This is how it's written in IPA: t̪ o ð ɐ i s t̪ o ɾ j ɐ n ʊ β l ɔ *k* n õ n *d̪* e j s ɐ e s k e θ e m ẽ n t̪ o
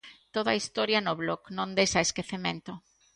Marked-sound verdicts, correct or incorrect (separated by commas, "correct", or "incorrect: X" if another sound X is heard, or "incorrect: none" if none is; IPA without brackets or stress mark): correct, correct